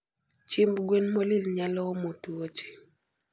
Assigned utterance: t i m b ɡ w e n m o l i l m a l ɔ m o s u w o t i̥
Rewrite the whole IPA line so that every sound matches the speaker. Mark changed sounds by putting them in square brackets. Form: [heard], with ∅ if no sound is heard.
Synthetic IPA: [t͡ʃ] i m b ɡ w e n m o l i l [ɲ] a l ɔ m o [t] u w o [t͡ʃ] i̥